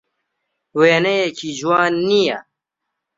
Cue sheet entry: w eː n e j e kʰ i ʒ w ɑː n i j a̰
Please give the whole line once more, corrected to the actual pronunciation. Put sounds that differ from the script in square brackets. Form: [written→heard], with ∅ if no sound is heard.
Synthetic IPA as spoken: w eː n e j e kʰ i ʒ w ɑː [n→nː] i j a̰